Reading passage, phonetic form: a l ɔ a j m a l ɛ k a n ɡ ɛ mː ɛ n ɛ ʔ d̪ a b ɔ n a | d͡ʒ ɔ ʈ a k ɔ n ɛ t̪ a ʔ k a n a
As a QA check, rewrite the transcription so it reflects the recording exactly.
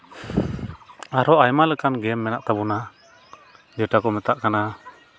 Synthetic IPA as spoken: a ɾ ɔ a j m a l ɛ k a n ɡ ɛ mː ɛ n a ʔ t̪ a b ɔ n a | d͡ʒ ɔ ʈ a k ɔ m ɛ t̪ a ʔ k a n a

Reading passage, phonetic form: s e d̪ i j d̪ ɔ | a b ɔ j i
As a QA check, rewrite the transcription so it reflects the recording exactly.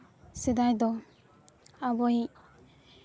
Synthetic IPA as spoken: s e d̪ a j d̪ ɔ | a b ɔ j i

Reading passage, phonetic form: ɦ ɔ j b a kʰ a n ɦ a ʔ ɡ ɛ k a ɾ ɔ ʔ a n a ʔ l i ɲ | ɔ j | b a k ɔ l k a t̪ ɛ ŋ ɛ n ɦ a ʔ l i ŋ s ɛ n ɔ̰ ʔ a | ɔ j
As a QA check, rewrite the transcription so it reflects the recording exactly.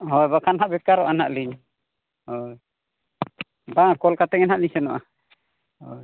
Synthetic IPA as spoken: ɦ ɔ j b a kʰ a n ɦ a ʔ b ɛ k a ɾ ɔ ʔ a n a ʔ l i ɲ | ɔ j | b a k ɔ l k a t̪ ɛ ŋ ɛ n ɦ a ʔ l i ɲ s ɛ n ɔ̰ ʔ a | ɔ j

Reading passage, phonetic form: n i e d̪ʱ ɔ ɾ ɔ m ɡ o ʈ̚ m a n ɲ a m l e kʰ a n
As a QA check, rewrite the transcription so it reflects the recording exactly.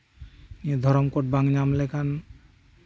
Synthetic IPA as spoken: n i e d̪ʱ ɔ ɾ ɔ m k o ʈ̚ b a ŋ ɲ a m l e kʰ a n

